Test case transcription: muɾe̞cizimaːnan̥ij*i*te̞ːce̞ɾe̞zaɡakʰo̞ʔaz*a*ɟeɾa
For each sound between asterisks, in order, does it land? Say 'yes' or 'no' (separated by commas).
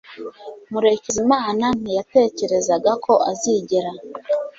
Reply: no, no